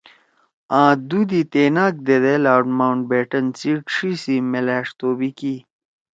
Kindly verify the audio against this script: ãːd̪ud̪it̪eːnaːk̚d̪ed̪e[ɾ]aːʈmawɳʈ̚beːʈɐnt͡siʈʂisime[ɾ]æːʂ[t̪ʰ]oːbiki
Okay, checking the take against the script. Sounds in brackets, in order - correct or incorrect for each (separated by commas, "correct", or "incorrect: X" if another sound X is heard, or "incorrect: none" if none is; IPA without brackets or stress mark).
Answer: incorrect: l, incorrect: l, incorrect: t̪